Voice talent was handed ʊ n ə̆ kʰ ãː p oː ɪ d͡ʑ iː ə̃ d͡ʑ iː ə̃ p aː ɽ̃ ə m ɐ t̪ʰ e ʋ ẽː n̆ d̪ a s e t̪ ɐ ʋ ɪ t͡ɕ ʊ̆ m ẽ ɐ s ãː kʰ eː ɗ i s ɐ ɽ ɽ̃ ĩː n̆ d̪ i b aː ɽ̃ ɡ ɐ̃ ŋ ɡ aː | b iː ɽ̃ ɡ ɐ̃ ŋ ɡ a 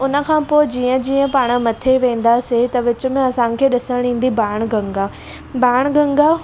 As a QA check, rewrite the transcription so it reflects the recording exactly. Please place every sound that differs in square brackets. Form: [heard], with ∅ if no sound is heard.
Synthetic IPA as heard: ʊ n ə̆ kʰ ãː p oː ɪ d͡ʑ iː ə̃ d͡ʑ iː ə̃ p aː ɽ̃ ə m ɐ t̪ʰ e ʋ ẽː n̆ d̪ a s e t̪ ɐ ʋ ɪ t͡ɕ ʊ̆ m ẽ ɐ s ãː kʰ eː ɗ [ɪ] s [ə] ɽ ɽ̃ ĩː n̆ d̪ i b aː ɽ̃ ɡ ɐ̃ ŋ ɡ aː | b [aː] ɽ̃ ɡ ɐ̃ ŋ ɡ a